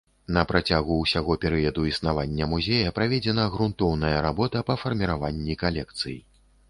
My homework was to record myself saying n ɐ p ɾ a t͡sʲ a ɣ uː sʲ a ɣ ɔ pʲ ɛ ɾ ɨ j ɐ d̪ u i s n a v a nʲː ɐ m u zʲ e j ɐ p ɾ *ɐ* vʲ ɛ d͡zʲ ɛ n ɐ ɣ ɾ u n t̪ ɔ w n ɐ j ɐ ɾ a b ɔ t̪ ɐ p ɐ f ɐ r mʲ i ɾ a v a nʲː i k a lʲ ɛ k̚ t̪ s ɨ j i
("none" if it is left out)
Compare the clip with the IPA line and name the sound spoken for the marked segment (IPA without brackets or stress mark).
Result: a